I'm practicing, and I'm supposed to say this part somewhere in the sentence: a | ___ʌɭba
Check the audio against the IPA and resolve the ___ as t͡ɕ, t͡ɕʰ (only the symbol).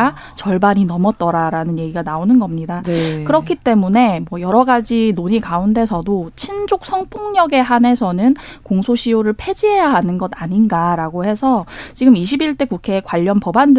t͡ɕ